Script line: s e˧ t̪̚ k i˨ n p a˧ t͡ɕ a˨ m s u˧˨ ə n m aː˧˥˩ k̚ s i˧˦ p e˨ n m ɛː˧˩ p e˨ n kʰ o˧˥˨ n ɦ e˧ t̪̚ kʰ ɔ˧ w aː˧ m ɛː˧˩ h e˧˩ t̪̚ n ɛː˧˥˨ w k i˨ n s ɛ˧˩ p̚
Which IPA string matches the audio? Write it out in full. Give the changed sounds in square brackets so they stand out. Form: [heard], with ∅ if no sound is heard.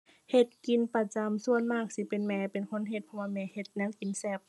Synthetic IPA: [h] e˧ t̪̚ k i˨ n p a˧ t͡ɕ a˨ m s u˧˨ ə n m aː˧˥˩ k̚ s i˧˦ p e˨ n m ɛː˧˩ p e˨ n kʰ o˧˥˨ n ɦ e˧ t̪̚ [pʰ] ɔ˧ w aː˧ m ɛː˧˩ h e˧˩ t̪̚ n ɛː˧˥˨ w k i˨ n s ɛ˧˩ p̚